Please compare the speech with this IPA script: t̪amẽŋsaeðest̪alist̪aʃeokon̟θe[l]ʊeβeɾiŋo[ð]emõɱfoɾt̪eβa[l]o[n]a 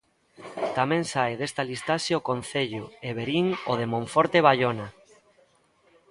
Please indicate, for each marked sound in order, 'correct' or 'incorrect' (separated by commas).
incorrect, correct, incorrect, correct